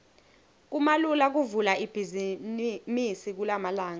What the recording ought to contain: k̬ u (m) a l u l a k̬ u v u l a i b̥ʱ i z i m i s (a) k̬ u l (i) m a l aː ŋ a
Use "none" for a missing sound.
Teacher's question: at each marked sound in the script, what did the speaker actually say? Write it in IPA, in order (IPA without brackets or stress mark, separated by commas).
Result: m, i, a